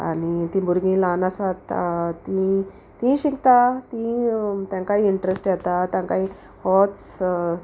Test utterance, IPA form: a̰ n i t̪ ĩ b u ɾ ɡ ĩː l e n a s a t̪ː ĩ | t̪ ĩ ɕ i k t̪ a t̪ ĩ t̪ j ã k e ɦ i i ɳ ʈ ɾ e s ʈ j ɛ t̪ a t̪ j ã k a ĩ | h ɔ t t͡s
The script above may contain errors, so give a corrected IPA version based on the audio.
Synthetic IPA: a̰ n i t̪ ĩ b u ɾ ɡ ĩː l a n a s a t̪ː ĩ | t̪ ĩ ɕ i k t̪ a t̪ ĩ t̪ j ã k a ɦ i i ɳ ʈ ɾ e s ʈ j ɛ t̪ a t̪ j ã k a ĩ | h ɔ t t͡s